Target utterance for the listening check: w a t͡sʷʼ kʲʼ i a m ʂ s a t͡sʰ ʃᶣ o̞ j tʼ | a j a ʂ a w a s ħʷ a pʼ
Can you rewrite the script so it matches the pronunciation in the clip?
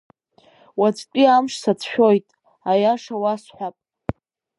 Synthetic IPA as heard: w a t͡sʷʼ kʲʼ i a m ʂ s a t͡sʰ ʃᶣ o̞ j tʼ | a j a ʂ a w a s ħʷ a pʼ